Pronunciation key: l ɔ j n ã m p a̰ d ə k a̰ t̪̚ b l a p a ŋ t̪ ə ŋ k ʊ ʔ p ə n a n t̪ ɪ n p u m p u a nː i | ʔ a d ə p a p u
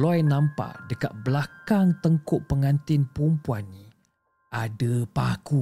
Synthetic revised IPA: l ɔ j n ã m p a̰ d ə k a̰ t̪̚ b l a k a ŋ t̪ ə ŋ k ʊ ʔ p ə ŋ a n t̪ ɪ n p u m p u a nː i | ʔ a d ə p a k u